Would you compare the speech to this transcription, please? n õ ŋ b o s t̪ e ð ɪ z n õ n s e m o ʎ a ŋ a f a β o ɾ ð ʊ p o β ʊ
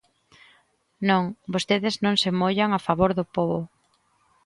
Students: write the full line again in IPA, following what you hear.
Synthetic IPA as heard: n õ ŋ b o s t̪ e ð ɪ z n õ ŋ s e m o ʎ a ŋ a f a β o ɾ ð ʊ p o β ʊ